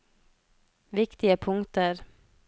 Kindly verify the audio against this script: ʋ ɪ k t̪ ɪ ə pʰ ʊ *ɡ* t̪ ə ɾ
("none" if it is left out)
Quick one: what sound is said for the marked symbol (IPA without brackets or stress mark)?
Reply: ŋ